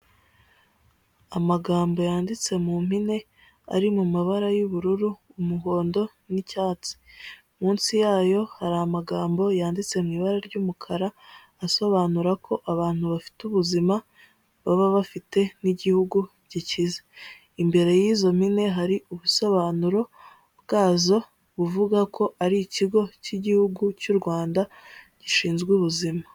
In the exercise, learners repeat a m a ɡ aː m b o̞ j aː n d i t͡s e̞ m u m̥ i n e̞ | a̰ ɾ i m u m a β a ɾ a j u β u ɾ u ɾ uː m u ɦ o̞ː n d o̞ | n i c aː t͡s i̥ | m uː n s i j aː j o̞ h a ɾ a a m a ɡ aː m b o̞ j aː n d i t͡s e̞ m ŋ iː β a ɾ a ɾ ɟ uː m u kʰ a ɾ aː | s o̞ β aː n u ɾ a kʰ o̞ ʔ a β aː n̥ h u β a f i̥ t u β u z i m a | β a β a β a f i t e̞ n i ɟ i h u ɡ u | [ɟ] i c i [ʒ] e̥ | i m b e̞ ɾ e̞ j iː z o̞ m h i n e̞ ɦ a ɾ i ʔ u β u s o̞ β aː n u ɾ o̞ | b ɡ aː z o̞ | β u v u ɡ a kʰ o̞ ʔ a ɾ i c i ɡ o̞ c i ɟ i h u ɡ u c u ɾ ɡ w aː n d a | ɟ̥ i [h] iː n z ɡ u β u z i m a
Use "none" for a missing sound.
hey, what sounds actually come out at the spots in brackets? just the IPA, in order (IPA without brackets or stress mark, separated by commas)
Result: ɟ, z, ʃ